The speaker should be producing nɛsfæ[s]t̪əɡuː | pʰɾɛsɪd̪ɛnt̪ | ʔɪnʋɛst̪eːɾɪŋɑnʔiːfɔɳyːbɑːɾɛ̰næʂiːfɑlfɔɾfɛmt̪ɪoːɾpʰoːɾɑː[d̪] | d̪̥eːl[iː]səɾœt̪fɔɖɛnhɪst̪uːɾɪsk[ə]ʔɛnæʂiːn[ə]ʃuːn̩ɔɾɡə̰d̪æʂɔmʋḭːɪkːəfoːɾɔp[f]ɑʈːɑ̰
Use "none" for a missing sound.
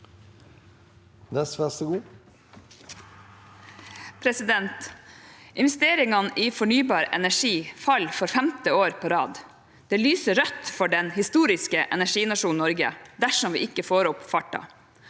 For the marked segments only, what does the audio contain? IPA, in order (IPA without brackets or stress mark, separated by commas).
s, d̪, yː, ə, ɑ, f